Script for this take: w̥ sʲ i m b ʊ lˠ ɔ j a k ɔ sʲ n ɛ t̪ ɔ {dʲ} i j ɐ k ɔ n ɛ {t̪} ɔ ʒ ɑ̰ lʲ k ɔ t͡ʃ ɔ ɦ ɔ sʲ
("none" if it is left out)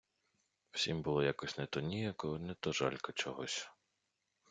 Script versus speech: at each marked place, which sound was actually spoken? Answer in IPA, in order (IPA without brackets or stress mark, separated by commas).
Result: nʲ, t̪